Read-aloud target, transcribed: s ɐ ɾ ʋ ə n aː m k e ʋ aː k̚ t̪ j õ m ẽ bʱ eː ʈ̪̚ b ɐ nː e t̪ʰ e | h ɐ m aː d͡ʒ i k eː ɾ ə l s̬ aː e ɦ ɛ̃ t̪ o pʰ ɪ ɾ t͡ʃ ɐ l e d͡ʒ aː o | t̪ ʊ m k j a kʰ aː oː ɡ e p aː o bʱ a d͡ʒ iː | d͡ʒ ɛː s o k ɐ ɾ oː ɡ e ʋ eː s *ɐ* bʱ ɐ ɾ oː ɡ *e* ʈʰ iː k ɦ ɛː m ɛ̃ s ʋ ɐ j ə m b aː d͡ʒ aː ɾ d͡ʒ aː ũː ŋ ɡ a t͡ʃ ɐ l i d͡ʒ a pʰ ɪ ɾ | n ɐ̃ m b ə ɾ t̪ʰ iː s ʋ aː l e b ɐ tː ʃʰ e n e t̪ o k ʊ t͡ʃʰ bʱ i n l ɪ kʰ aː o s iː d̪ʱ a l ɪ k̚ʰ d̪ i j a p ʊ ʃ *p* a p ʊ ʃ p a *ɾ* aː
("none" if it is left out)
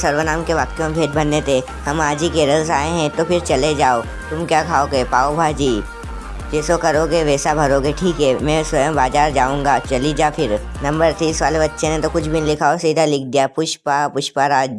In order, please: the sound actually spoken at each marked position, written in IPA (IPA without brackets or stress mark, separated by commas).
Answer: a, e, p, ɾ